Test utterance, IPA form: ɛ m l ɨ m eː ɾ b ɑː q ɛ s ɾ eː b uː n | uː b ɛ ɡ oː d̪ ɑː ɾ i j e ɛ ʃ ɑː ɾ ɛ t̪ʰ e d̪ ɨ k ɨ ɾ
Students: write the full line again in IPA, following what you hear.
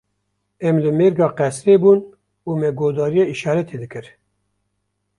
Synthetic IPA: ɛ m l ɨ m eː ɾ ɡ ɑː q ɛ s ɾ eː b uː n | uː m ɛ ɡ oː d̪ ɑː ɾ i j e i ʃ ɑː ɾ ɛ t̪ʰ e d̪ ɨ k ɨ ɾ